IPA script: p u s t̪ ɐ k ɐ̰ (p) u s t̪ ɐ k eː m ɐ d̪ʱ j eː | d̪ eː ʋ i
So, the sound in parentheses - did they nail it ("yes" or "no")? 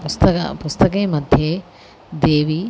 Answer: yes